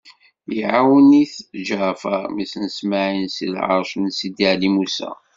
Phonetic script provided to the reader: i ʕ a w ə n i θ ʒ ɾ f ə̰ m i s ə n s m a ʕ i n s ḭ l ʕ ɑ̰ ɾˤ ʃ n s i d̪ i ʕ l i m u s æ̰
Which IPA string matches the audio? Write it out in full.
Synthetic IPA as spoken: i ʕ a w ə n i θ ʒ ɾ f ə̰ m i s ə n s m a ʕ i n s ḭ l ʕ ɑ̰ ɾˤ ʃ n s i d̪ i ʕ l i m u s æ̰